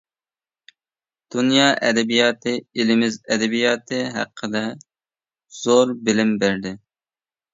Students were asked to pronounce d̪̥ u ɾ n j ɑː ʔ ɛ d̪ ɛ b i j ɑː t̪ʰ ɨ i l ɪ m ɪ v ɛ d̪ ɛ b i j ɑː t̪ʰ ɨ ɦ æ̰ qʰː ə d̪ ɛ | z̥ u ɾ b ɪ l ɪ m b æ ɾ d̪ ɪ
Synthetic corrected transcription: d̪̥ u n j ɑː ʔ ɛ d̪ ɛ b i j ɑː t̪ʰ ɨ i l ɪ m ɪ z ɛ d̪ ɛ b i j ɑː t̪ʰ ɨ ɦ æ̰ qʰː ə d̪ ɛ | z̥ o ɾ b ɪ l ɪ m b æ ɾ d̪ ɪ

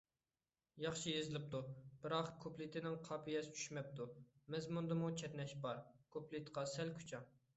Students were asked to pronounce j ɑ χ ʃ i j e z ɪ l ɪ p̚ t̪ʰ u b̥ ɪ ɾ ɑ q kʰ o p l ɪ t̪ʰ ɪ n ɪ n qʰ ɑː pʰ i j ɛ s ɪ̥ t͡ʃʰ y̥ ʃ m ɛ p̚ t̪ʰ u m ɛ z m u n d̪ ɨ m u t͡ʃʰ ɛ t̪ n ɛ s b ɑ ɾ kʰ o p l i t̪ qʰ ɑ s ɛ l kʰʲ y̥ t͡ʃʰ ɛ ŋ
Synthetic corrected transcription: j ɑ χ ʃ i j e z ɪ l ɪ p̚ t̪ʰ u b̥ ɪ ɾ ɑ q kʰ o p l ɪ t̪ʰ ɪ n ɪ ŋ qʰ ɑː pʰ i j ɛ s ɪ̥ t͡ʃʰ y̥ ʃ m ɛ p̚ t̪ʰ u m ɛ z m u n d̪ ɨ m u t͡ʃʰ ɛ t̪ n ɛ ʃ b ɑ ɾ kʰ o p l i t̪ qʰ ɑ s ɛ l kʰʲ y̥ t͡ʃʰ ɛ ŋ

